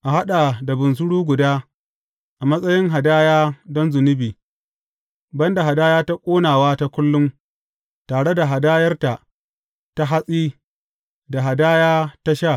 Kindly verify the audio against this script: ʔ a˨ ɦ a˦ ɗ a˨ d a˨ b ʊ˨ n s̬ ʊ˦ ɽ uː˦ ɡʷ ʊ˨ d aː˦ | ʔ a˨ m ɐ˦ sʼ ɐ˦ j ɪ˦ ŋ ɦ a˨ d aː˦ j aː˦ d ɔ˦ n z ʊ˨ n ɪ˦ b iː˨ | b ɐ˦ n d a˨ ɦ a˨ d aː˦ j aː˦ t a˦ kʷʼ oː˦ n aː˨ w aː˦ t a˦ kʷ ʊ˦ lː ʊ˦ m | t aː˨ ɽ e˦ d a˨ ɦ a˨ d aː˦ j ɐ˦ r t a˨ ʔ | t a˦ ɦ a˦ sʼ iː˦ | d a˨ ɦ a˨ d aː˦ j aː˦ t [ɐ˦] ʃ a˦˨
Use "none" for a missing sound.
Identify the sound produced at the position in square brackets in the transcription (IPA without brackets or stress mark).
a˦